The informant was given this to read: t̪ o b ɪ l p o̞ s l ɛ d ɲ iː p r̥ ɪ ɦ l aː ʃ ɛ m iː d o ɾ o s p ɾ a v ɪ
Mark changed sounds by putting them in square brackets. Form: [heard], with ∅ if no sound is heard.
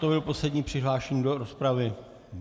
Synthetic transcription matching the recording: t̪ o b ɪ l p o̞ s l ɛ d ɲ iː p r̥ ɪ ɦ l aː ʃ ɛ [ɲ] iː d o ɾ o s p ɾ a v ɪ

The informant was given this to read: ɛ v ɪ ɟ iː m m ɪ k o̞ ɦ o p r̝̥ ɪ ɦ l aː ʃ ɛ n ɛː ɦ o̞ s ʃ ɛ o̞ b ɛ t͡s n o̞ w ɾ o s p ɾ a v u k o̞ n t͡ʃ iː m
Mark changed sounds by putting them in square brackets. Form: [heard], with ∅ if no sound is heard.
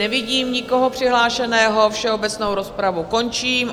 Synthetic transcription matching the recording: ɛ v ɪ ɟ iː m [ɲ] ɪ k o̞ ɦ o p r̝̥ ɪ ɦ l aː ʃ ɛ n ɛː ɦ o̞ [f] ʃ ɛ o̞ b ɛ t͡s n o̞ w ɾ o s p ɾ a v u k o̞ n t͡ʃ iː m

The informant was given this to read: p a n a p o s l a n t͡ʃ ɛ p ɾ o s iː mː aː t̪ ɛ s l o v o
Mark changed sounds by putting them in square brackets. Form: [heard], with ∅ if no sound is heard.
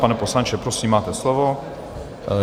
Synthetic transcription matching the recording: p a n [ɛ] p o s l a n t͡ʃ ɛ p ɾ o s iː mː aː t̪ ɛ s l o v o

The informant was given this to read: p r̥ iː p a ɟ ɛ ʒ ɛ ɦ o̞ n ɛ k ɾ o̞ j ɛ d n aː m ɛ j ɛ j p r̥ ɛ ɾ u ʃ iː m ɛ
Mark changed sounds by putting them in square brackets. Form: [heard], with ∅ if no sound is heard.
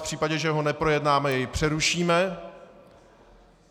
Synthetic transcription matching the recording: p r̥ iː p a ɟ ɛ ʒ ɛ ɦ o̞ n ɛ [p] ɾ o̞ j ɛ d n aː m ɛ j ɛ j p r̥ ɛ ɾ u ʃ iː m ɛ

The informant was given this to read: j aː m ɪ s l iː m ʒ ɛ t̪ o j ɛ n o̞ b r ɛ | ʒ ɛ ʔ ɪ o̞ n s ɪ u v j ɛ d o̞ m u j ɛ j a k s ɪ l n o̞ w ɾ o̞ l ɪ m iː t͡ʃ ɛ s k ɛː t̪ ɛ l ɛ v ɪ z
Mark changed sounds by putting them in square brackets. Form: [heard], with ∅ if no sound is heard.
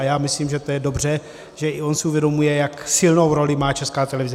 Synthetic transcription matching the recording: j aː m ɪ s l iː m ʒ ɛ t̪ o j ɛ [d] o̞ b r ɛ | ʒ ɛ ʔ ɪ o̞ n s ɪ u v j ɛ d o̞ m u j ɛ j a k s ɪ l n o̞ w ɾ o̞ l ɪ m [aː] t͡ʃ ɛ s k [aː] t̪ ɛ l ɛ v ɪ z

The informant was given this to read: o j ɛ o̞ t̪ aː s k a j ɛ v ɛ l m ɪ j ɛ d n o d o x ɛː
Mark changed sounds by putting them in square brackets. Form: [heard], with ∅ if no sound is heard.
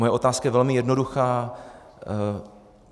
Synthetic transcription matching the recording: o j ɛ o̞ t̪ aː s k a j ɛ v ɛ l m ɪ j ɛ d n o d [u] x [aː]

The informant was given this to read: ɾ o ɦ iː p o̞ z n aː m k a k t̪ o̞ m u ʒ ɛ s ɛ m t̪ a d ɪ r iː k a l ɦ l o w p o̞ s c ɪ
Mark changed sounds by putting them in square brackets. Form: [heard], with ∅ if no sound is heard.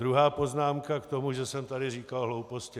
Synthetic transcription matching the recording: ɾ [u] ɦ [aː] p o̞ z n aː m k a k t̪ o̞ m u ʒ ɛ s ɛ m t̪ a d ɪ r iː k a l ɦ l o w p o̞ s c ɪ

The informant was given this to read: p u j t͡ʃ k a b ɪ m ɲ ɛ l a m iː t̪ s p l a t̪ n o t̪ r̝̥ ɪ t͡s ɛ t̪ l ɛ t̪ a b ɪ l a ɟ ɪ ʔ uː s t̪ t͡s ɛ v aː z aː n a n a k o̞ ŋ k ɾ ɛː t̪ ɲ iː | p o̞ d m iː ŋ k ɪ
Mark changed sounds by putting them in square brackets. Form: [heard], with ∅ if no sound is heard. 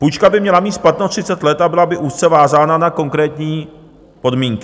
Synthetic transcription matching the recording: p u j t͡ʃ k a b ɪ m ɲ ɛ l a m iː t̪ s p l a t̪ n o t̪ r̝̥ ɪ t͡s ɛ t̪ l ɛ t̪ a b ɪ l a [b] ɪ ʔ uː s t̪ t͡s ɛ v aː z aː n a n a k o̞ ŋ k ɾ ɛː t̪ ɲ iː | p o̞ d m iː ŋ k ɪ

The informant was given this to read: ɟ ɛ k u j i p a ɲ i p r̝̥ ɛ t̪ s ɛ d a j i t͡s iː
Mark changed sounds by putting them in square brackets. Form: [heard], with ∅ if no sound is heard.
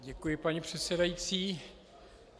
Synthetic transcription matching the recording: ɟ ɛ k u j [ɪ] p a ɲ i p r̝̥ ɛ t̪ s ɛ d a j i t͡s iː

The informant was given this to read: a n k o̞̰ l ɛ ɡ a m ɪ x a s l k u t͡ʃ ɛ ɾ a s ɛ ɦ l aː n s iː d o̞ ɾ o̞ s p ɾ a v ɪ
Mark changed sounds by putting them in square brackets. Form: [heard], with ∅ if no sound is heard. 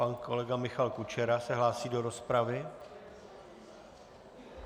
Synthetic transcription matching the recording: a n k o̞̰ l ɛ ɡ a m ɪ x a [∅] l k u t͡ʃ ɛ ɾ a s ɛ ɦ l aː [∅] s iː d o̞ ɾ o̞ s p ɾ a v ɪ

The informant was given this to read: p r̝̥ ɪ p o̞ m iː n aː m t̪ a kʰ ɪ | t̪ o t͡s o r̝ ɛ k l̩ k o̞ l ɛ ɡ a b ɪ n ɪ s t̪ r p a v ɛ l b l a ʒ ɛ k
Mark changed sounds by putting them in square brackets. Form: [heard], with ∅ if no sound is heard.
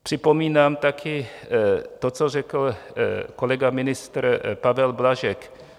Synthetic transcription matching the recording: p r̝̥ ɪ p o̞ m iː n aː m t̪ a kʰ ɪ | t̪ o t͡s o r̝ ɛ k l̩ k o̞ l ɛ ɡ a [m] ɪ n ɪ s t̪ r p a v ɛ l b l a ʒ ɛ k

